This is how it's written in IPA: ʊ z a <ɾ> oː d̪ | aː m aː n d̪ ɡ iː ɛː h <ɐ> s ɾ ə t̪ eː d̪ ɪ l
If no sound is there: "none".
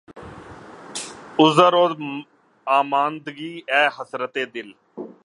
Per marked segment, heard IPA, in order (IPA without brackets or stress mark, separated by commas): ɾ, ə